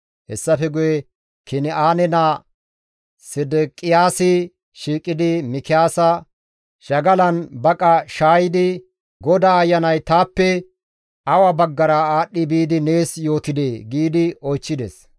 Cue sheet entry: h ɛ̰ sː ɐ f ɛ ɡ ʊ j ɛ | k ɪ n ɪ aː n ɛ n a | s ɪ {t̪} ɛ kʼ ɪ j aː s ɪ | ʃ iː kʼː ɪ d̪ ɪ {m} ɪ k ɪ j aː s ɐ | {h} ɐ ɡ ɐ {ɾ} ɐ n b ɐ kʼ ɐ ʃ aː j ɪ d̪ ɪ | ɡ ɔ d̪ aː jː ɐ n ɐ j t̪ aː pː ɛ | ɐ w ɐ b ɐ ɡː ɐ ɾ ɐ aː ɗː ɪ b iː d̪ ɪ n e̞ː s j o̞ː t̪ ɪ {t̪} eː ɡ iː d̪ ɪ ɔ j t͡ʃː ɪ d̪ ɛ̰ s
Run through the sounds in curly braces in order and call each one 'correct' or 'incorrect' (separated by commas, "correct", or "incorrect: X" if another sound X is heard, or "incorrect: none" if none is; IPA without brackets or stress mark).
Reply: incorrect: d̪, correct, incorrect: ʃ, incorrect: l, incorrect: d̪